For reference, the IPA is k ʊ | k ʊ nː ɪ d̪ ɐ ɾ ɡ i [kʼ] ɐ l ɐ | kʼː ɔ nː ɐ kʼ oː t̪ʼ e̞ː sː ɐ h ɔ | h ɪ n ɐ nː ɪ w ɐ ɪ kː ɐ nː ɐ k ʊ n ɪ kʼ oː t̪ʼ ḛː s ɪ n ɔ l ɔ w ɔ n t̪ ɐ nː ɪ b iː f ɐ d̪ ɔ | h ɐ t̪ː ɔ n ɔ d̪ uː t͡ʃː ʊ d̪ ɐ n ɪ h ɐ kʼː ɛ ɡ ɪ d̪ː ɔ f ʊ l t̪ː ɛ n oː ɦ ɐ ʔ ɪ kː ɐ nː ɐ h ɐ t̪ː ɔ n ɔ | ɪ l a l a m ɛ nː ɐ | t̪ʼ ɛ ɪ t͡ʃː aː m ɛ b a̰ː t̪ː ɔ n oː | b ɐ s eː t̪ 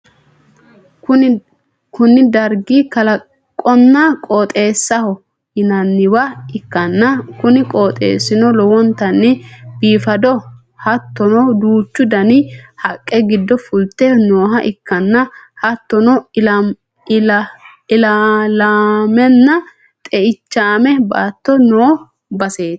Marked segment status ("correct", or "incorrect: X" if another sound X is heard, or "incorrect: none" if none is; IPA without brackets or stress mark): incorrect: k